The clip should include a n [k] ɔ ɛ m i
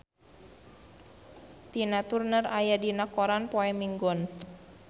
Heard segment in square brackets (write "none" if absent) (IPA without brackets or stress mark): p